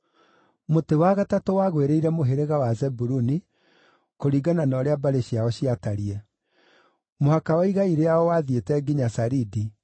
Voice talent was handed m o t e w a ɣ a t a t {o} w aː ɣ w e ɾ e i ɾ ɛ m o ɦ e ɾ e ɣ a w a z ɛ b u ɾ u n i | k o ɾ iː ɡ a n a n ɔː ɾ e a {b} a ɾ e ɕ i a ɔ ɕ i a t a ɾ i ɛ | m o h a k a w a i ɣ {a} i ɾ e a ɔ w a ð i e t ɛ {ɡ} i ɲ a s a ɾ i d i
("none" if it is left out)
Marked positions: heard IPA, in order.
o, b, a, ɡ

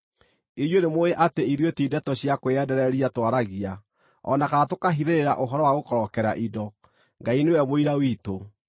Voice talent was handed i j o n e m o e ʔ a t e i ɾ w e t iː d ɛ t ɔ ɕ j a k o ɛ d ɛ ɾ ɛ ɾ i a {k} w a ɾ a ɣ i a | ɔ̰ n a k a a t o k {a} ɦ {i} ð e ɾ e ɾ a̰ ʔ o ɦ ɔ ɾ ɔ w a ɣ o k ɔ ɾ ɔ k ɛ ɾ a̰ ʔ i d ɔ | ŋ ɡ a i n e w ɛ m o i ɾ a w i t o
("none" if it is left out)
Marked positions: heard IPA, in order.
t, a, i

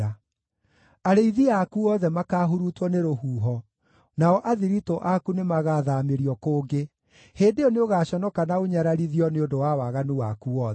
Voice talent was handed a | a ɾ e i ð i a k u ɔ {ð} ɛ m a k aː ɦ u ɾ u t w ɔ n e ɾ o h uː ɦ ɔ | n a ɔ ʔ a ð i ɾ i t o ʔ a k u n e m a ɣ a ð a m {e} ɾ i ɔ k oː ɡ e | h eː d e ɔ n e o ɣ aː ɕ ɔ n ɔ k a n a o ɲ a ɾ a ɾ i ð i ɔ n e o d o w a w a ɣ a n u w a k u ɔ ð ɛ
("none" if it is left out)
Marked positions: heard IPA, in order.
ð, e

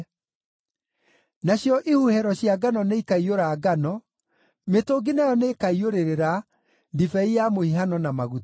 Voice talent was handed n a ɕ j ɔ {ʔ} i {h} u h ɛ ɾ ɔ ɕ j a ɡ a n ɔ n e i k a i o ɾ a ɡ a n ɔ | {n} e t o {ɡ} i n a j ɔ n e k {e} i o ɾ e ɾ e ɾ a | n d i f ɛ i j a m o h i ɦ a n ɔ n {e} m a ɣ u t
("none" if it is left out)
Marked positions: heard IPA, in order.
ʔ, h, m, ɡ, a, a

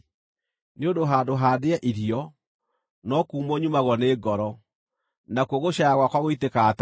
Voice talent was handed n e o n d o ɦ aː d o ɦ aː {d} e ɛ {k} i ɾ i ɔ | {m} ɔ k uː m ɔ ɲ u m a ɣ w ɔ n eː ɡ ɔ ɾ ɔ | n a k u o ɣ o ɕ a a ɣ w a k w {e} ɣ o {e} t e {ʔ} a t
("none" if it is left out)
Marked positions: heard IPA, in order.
d, ʔ, n, a, i, k

